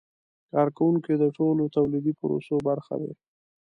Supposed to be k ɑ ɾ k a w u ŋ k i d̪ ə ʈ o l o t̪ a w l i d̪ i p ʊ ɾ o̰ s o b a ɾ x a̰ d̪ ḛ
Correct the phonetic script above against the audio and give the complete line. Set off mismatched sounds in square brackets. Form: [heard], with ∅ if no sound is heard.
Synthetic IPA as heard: k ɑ ɾ k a w u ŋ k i d̪ ə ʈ o l o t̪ a w l i d̪ i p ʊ ɾ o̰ s o b a ɾ x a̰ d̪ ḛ